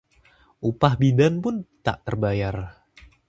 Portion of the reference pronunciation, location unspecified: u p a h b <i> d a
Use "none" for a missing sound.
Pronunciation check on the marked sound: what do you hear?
i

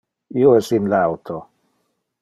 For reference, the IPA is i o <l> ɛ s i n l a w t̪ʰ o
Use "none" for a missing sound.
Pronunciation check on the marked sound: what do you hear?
none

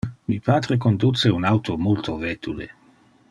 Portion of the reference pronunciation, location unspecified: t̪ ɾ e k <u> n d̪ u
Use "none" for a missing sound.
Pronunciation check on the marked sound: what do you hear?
o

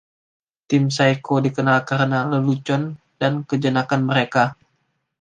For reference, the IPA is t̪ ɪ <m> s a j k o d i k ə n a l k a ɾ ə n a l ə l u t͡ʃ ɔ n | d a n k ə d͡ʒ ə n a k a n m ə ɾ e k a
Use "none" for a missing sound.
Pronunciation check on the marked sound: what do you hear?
m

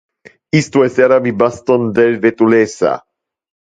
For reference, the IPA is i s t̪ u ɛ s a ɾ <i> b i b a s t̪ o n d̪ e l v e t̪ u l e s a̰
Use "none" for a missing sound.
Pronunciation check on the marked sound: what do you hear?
a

